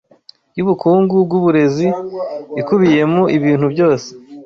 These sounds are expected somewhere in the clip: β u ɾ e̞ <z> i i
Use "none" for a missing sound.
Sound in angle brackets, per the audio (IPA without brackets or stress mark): z